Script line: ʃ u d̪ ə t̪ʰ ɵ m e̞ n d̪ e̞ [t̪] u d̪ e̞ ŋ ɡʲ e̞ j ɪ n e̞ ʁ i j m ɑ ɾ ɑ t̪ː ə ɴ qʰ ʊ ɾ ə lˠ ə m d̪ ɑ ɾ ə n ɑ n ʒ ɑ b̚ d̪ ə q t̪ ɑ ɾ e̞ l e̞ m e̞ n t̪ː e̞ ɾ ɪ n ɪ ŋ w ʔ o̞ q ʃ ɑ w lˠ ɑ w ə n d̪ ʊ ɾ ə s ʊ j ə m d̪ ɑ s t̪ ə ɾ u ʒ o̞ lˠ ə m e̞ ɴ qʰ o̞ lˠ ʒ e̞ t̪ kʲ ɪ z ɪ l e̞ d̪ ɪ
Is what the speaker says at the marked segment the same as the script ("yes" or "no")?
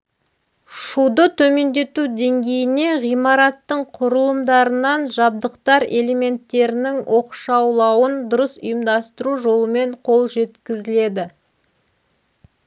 yes